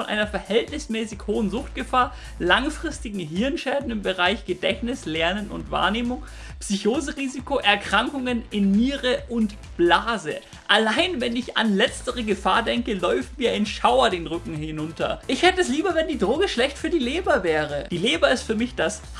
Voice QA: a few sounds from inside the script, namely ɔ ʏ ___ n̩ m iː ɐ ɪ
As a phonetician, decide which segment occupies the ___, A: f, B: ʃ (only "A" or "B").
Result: A